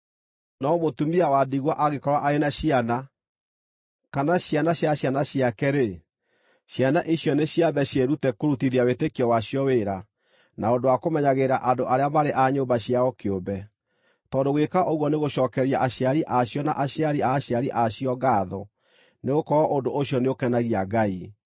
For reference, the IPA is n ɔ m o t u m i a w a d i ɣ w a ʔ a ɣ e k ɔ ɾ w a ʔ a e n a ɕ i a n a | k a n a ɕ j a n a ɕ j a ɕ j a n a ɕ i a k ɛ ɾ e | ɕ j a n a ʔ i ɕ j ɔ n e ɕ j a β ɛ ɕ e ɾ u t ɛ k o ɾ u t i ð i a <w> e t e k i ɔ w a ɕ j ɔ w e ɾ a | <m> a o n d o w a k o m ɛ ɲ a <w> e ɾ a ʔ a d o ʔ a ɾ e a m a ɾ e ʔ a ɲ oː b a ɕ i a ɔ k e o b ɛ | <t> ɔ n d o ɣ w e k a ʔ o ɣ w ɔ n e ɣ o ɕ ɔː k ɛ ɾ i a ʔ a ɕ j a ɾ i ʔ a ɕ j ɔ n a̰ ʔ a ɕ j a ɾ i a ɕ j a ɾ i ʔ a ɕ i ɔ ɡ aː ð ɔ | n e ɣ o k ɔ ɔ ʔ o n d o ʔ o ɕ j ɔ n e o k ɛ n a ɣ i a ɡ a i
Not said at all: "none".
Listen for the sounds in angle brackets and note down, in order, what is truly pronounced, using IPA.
w, n, ɣ, t

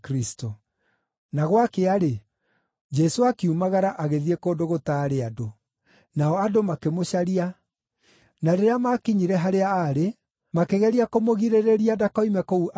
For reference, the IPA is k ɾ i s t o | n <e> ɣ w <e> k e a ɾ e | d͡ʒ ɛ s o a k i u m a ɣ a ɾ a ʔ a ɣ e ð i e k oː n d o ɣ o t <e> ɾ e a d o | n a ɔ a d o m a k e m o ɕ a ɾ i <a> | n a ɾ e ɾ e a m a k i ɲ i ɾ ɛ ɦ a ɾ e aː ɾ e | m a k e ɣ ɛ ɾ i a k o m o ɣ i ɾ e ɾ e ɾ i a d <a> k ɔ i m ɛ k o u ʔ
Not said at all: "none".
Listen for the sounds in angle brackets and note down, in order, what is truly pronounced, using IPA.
a, a, a, a, a

